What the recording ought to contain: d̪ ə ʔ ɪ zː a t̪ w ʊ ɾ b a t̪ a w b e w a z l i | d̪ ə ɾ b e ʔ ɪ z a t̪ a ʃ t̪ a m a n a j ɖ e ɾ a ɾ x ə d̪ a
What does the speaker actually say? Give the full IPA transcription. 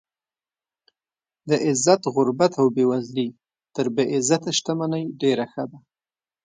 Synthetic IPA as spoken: d̪ ə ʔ ɪ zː a t̪ ɣ ʊ ɾ b a t̪ a w b e w a z l i | t̪ ə ɾ b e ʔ ɪ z a t̪ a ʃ t̪ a m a n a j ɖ e ɾ a x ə d̪ a